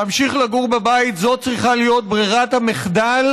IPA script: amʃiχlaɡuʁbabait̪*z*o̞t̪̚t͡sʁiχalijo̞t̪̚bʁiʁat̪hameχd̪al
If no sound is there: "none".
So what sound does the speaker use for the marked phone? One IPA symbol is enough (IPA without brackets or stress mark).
z